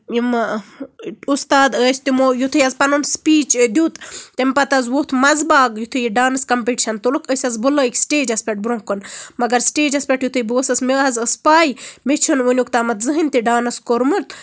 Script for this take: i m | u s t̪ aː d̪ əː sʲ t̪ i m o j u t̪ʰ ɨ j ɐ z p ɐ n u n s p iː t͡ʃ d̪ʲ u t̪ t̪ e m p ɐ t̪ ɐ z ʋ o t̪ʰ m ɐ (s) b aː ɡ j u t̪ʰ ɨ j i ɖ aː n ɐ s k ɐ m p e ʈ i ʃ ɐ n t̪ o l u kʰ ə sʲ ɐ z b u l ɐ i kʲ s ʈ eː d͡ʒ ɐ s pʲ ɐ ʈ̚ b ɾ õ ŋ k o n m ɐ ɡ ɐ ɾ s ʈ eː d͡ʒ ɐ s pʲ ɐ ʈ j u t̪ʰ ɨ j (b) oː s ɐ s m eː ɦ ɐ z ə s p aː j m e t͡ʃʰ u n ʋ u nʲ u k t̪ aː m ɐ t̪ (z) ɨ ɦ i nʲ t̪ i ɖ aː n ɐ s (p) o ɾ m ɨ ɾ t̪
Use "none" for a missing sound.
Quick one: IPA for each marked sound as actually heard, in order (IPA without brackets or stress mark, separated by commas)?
z, b, z, k